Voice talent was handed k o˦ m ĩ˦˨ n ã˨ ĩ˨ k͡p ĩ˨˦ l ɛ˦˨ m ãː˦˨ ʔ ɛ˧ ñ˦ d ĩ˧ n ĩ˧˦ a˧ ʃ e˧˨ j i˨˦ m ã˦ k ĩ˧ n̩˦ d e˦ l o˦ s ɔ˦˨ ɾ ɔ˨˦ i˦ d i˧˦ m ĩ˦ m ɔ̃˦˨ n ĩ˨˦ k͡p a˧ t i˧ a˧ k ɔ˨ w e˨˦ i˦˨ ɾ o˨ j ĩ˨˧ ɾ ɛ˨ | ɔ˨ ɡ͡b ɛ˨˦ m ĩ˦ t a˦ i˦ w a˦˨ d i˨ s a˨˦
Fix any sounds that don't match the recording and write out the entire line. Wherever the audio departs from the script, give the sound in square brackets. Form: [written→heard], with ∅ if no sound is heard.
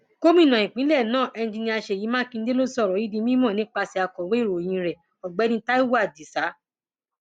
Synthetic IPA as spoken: k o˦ m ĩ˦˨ n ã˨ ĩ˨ k͡p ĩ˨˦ l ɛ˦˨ [m→n] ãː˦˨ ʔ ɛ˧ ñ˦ [d→d͡ʒ] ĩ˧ n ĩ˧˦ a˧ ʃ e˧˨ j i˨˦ m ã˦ k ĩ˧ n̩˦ d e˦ l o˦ s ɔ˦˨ ɾ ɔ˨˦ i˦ d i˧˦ m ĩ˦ m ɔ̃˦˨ n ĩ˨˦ k͡p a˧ [t→s] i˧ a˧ k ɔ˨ w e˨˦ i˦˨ ɾ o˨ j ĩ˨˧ ɾ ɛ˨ | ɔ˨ ɡ͡b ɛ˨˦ [m→n] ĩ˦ t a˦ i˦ w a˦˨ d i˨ s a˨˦